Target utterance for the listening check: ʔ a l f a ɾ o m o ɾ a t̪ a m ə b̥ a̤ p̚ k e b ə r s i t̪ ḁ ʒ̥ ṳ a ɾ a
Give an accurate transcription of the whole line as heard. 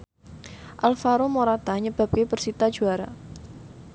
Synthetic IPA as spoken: ʔ a l f a ɾ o m o ɾ a t̪ a ɲ ə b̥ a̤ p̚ k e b ə r s i t̪ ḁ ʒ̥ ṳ a ɾ a